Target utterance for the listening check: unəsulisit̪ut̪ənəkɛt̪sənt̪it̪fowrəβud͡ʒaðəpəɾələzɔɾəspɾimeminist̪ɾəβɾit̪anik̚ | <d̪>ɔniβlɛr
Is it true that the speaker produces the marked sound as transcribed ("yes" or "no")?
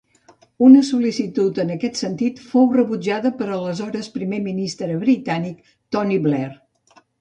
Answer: no